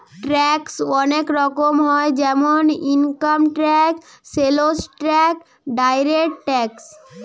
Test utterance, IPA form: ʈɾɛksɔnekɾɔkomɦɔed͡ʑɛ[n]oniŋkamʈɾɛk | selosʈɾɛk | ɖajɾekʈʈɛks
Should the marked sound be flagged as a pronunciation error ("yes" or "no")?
yes